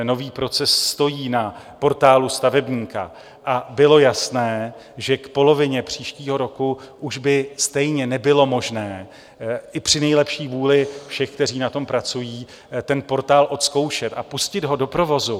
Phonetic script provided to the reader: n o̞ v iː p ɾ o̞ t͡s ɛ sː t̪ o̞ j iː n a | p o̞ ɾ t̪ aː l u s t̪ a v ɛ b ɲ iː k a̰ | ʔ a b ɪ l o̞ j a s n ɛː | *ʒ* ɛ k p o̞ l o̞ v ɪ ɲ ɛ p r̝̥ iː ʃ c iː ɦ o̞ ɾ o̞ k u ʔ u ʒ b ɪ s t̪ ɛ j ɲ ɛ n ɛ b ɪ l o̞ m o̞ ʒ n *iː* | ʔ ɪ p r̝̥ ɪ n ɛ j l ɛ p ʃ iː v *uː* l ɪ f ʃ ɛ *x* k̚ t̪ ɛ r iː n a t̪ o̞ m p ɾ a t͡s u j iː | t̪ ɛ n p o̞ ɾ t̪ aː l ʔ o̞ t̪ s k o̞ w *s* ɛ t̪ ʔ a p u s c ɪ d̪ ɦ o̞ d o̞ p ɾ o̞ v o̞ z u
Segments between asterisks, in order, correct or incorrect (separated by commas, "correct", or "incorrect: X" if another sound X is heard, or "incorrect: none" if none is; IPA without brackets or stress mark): correct, incorrect: ɛː, correct, correct, incorrect: ʃ